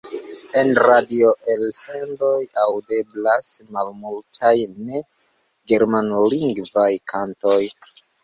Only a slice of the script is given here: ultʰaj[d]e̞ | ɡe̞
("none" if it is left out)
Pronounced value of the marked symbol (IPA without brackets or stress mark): n